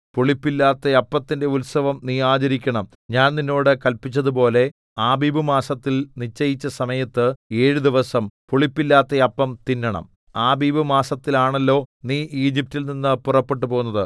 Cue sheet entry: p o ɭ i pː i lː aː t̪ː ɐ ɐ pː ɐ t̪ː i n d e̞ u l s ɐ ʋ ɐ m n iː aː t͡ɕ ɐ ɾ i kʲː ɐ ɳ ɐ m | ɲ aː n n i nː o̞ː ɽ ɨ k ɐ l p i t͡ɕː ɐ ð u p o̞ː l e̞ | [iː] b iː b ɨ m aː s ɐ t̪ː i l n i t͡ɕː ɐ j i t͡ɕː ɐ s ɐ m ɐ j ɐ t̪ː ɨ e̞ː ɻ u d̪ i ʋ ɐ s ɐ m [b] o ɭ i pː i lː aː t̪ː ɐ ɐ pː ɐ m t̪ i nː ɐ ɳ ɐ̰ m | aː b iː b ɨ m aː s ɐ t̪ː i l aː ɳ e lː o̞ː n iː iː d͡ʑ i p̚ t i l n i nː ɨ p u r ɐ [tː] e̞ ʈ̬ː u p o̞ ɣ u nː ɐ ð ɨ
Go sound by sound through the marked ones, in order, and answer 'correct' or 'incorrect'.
incorrect: aː, incorrect: p, incorrect: pː

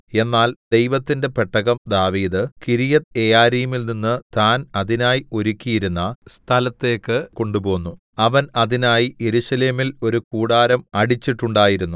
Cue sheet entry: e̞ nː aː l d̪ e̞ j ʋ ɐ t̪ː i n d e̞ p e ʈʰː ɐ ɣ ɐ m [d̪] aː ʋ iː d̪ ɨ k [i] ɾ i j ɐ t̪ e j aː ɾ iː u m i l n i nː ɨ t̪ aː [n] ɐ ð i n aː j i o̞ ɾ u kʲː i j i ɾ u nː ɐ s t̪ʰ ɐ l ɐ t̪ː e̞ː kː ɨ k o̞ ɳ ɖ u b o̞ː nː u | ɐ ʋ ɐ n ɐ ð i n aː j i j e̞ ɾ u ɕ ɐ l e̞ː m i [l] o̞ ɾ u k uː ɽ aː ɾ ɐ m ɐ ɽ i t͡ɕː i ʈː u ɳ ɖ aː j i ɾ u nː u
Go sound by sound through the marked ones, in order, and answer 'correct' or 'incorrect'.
correct, correct, correct, correct

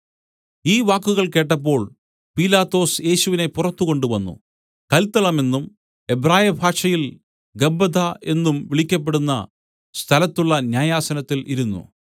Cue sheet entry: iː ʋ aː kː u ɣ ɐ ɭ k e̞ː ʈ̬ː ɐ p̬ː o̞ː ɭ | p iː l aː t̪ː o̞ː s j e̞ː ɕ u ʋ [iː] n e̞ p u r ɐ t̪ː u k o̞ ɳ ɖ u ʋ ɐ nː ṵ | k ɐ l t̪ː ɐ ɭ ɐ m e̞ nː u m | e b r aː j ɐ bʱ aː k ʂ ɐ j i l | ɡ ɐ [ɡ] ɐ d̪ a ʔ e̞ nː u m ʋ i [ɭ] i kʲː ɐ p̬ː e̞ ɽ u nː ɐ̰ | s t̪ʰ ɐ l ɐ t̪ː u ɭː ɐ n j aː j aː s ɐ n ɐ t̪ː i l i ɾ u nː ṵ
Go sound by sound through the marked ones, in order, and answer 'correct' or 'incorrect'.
incorrect: i, incorrect: b, correct

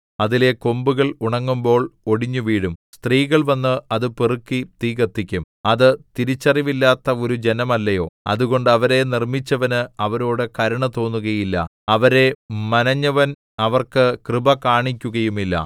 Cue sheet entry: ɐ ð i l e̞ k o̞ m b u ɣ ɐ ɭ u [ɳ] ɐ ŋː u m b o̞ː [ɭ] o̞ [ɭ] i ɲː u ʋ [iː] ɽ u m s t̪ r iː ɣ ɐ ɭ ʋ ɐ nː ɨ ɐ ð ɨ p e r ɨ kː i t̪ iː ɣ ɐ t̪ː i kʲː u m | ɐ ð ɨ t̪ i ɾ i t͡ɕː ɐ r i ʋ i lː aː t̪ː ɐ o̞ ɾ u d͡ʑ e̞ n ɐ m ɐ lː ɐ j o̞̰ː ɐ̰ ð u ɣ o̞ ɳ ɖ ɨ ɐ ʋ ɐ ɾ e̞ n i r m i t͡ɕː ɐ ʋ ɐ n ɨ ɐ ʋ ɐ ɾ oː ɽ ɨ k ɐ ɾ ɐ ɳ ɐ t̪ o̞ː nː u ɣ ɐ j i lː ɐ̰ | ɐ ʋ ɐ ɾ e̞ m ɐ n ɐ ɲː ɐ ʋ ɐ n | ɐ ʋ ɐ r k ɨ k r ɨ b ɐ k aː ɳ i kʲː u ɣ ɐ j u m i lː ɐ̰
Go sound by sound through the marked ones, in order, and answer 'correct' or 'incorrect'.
correct, correct, incorrect: ɽ, correct

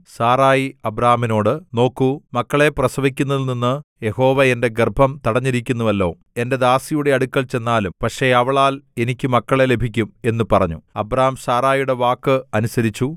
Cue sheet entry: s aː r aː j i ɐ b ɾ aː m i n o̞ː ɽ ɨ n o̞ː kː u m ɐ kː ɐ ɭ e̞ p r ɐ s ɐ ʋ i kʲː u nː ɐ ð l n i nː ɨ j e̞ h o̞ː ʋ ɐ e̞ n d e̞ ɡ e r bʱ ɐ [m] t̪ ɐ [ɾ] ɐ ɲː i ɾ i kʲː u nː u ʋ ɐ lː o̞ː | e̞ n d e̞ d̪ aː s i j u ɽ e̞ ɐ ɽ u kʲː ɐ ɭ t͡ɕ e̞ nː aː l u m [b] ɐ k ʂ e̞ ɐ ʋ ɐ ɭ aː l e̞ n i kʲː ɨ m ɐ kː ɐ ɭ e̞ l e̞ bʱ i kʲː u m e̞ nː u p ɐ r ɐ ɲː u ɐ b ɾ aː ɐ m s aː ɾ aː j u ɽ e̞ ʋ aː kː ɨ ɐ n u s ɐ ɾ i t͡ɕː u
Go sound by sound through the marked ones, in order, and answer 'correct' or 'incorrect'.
correct, incorrect: ɽ, incorrect: p

